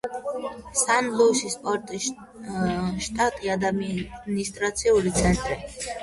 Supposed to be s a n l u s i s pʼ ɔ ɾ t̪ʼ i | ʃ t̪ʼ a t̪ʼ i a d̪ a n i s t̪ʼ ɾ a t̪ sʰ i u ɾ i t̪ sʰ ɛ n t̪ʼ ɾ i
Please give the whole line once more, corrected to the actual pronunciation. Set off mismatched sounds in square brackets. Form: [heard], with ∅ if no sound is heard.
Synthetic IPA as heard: s a n l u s i s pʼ ɔ ɾ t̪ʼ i | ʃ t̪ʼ a t̪ʼ i a d̪ a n i s t̪ʼ ɾ a t̪ sʰ i u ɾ i t̪ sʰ ɛ n t̪ʼ ɾ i